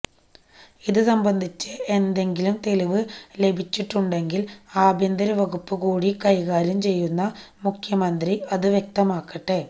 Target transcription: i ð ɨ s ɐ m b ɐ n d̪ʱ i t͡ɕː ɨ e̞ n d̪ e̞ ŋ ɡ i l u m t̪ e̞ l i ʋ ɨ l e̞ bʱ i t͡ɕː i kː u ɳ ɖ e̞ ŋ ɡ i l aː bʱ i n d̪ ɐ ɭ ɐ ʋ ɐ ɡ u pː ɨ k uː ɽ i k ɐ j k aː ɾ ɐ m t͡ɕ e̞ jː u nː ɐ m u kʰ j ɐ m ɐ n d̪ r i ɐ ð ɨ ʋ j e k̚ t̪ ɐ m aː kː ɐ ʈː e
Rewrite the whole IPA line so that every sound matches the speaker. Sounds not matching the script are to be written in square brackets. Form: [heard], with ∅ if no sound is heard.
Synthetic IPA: i ð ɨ s ɐ m b ɐ n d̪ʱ i t͡ɕː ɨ e̞ n d̪ e̞ ŋ ɡ i l u m t̪ e̞ l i ʋ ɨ l e̞ bʱ i t͡ɕː i [ʈː] u ɳ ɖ e̞ ŋ ɡ i l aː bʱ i n d̪ ɐ [ɾ] ɐ ʋ ɐ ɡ u pː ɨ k uː ɽ i k ɐ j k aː ɾ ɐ m t͡ɕ e̞ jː u nː ɐ m u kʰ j ɐ m ɐ n d̪ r i ɐ ð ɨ ʋ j e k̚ t̪ ɐ m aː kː ɐ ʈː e